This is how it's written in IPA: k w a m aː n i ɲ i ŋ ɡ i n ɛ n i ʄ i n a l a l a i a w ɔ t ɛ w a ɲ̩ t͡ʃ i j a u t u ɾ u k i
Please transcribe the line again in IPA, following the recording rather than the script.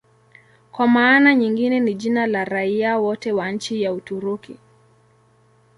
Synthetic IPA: k w a m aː n a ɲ i ŋ ɡ i n ɛ n i ʄ i n a l a ɾ a i a w ɔ t ɛ w a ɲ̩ t͡ʃ i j a u t u ɾ u k i